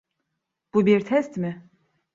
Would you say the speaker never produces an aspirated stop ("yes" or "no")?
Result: no